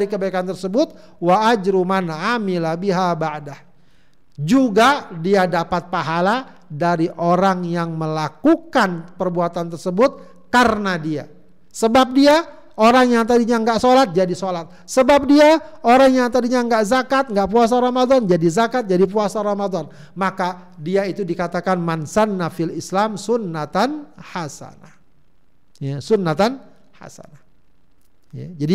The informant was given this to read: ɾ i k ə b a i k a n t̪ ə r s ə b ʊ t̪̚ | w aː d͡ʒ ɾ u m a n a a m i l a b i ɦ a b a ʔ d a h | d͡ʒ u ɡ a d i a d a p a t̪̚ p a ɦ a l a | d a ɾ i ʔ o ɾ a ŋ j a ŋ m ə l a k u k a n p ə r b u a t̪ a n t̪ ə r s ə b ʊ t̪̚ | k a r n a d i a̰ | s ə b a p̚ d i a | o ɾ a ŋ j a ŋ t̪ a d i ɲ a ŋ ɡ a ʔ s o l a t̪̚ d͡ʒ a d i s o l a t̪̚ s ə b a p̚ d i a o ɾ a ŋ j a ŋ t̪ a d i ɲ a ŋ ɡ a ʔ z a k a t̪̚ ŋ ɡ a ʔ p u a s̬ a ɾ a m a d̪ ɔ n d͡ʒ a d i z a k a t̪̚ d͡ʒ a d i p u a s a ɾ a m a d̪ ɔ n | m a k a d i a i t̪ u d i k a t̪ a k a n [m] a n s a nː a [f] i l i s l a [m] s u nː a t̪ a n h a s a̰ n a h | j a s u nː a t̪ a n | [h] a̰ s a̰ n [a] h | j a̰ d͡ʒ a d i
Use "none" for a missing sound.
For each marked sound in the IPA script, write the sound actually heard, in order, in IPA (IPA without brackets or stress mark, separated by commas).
m, f, m, h, a